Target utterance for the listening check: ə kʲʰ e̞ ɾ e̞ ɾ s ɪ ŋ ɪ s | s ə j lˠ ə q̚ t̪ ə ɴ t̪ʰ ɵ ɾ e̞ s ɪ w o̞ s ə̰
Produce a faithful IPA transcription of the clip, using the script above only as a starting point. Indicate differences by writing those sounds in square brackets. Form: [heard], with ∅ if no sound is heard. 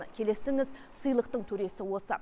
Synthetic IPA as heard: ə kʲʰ e̞ [l] e̞ [∅] s ɪ ŋ ɪ [z] | s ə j lˠ ə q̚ t̪ ə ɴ t̪ʰ ɵ ɾ e̞ s ɪ w o̞ s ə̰